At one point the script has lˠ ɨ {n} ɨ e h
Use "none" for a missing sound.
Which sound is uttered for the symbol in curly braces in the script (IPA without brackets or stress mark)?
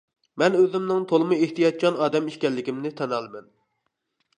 m